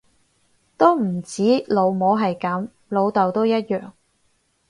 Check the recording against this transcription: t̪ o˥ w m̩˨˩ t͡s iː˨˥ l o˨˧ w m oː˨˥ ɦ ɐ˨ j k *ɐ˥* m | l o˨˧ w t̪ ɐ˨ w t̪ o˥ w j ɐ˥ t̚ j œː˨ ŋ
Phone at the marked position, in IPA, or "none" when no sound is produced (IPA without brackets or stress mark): ɐ˨˥